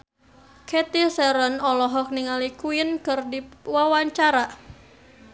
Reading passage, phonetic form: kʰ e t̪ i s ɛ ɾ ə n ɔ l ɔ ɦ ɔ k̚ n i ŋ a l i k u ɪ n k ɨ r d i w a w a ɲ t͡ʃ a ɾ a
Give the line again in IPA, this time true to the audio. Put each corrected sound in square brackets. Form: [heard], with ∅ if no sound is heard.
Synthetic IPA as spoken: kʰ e t̪ i s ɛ ɾ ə n ɔ l ɔ ɦ ɔ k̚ n i ŋ a l i k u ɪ n k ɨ r d i w a w a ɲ t͡ʃ a ɾ a